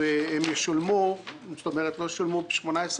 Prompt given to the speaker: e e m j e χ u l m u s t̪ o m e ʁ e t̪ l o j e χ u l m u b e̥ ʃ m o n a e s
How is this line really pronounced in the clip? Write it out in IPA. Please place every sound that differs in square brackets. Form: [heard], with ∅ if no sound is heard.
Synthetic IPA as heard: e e m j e [ʃ] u l m u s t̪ o m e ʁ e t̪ l o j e [ʃ] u l m u b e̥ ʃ m o n a e s